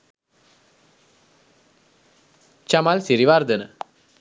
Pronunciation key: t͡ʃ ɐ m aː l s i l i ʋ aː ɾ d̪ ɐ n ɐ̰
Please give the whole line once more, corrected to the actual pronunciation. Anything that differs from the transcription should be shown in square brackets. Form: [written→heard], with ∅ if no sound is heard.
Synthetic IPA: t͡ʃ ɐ m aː l s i [l→ɾ] i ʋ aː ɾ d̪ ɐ n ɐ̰